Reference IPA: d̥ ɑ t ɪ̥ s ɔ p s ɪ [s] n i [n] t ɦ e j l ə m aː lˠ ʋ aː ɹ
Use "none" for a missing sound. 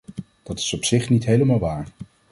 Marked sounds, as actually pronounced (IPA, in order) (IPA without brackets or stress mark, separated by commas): χ, none